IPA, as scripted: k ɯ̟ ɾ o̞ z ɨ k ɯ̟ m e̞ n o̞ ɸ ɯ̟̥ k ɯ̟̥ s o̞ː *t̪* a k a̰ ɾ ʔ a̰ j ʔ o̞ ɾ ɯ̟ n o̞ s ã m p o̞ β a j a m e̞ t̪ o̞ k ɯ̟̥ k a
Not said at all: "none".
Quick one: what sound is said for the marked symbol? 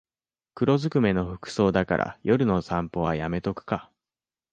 d̪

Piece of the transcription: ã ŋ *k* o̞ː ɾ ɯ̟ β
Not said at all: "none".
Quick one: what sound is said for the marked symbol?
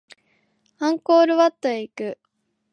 k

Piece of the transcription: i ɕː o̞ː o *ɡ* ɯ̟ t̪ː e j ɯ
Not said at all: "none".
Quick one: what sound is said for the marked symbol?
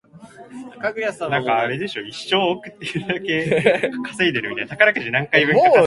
k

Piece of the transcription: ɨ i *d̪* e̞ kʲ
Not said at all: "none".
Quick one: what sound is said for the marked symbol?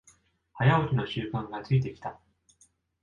t̪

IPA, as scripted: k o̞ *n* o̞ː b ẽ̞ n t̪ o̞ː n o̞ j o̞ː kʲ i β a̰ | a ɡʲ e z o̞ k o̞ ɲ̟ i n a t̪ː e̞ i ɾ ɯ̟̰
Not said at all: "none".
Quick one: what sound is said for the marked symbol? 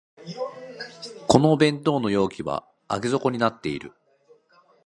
n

